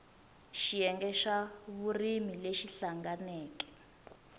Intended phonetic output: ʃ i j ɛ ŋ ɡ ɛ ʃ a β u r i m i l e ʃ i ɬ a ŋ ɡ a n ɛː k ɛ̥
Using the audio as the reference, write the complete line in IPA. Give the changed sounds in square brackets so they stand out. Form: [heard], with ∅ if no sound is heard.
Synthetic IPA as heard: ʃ i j ɛ ŋ ɡ ɛ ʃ a β u r i m i l e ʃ i ɬ a ŋ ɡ a n ɛː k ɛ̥